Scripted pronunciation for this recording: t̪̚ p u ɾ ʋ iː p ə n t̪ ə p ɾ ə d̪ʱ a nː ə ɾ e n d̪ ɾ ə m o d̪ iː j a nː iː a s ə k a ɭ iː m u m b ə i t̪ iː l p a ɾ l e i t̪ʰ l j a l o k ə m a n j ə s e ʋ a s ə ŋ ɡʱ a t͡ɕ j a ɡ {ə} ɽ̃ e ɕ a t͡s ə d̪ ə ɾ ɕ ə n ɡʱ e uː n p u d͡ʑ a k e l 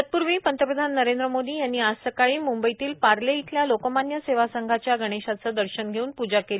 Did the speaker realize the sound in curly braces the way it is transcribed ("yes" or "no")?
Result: yes